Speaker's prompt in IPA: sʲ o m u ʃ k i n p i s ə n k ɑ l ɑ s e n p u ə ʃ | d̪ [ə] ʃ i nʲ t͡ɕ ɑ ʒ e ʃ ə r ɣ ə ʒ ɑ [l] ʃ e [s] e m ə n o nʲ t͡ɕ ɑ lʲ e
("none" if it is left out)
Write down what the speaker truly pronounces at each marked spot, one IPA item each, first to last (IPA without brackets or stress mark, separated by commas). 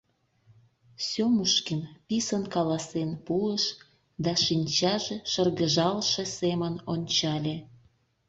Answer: ɑ, l, s